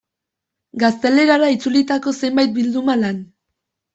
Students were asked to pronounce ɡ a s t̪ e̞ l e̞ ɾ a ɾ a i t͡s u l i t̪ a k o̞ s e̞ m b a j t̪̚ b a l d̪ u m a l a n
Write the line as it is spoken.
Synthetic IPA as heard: ɡ a s t̪ e̞ l e̞ ɾ a ɾ a i t͡s u l i t̪ a k o̞ s e̞ m b a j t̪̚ b i l d̪ u m a l a n